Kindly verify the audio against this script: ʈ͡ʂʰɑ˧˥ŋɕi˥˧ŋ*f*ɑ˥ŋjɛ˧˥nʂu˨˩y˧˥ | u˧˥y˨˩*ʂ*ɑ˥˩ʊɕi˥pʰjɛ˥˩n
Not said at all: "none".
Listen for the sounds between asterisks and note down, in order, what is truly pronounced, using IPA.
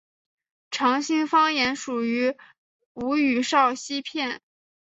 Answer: f, ʂ

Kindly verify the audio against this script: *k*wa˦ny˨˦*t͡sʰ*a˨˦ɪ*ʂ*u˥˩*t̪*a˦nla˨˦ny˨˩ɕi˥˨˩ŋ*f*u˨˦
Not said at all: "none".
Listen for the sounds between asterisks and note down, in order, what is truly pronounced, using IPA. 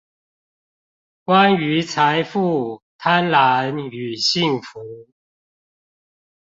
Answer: k, t͡sʰ, f, t̪ʰ, f

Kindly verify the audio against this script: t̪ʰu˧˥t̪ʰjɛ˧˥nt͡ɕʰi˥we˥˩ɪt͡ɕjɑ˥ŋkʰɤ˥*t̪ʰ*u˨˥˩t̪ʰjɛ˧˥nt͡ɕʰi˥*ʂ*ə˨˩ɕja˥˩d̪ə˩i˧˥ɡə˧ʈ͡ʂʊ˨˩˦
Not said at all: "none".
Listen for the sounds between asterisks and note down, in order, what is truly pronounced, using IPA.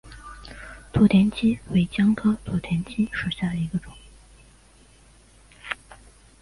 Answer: t̪ʰ, ʂ

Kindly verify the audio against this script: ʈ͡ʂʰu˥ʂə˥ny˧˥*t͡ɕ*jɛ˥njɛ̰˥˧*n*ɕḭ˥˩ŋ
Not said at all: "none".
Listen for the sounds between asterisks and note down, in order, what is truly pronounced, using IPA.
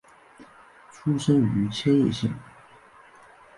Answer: t͡ɕʰ, none

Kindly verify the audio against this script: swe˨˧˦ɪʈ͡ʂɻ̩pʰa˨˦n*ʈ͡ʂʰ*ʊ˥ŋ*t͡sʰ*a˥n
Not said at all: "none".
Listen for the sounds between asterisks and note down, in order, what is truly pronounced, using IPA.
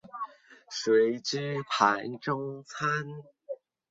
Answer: ʈ͡ʂ, t͡sʰ

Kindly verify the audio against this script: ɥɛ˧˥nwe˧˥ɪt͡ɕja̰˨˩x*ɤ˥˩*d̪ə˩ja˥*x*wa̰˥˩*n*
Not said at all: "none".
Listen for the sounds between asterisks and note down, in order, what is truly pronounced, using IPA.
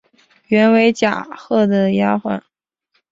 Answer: ɤ˥˩, x, n

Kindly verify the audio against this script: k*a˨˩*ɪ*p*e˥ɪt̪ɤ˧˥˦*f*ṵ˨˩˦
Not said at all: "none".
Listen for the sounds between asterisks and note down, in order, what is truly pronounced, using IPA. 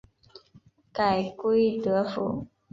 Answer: a˨˩, k, f

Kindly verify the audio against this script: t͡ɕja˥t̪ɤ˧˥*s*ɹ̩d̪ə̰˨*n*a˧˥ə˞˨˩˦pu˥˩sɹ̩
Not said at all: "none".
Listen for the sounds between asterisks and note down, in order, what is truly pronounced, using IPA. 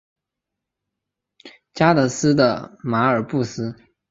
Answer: s, m

